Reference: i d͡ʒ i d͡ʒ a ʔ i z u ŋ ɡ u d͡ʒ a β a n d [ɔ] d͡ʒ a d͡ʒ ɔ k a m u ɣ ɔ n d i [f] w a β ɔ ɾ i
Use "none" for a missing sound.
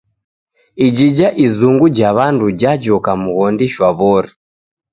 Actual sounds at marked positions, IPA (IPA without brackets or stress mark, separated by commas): u, ʃ